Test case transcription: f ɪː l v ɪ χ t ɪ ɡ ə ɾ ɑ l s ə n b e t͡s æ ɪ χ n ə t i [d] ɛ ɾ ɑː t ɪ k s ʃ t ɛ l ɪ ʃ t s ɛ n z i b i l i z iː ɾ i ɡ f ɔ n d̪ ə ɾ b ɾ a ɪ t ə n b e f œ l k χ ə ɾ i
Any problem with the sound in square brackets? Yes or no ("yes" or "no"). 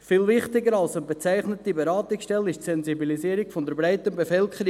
yes